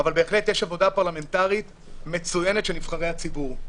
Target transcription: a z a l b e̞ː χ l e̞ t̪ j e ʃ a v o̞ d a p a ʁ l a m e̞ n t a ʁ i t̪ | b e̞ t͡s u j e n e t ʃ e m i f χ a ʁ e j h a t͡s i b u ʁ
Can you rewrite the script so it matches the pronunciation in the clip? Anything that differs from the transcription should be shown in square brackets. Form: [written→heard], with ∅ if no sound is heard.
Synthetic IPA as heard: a [z→v] a l b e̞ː χ l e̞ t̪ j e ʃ a v o̞ d a p a ʁ l a m e̞ n t a ʁ i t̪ | [b→m] e̞ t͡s u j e n e t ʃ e [m→n] i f χ a ʁ e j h a t͡s i b u ʁ